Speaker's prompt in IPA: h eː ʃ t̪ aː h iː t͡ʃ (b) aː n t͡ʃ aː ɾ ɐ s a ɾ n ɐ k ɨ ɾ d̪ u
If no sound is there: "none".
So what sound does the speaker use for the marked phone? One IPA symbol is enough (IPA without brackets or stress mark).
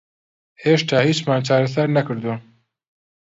m